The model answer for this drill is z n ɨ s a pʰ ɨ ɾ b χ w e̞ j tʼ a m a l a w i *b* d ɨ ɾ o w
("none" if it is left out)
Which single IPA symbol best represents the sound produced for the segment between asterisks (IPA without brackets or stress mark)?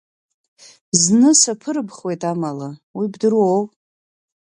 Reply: b